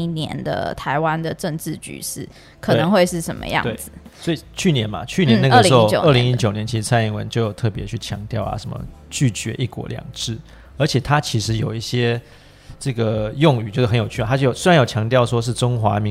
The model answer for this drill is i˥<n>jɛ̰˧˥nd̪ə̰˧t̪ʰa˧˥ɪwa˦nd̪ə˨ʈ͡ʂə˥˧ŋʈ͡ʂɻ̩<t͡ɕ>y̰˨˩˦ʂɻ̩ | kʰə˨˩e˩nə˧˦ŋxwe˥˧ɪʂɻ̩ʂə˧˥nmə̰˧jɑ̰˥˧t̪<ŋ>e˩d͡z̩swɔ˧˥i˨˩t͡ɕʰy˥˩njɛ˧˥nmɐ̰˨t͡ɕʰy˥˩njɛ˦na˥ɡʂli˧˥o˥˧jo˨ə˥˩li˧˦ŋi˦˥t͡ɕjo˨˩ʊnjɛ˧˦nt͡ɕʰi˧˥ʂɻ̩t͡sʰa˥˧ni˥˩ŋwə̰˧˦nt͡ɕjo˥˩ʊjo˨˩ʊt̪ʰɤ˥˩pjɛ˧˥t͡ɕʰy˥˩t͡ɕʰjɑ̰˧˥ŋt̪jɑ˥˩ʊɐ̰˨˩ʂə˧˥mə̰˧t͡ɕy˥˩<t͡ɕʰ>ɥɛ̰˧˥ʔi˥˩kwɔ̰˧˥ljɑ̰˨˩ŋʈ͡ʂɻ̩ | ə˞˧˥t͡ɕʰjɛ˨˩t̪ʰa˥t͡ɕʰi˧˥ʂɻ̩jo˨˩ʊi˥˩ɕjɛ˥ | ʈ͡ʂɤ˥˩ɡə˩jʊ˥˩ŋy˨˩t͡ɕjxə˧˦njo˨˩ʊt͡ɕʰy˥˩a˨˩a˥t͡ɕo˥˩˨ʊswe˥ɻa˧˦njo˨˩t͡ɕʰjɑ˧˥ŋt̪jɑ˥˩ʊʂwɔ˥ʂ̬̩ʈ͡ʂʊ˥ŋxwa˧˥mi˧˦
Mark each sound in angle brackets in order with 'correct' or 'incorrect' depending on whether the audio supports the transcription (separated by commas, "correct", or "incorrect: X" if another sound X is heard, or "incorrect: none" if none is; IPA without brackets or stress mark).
correct, correct, correct, incorrect: t͡ɕ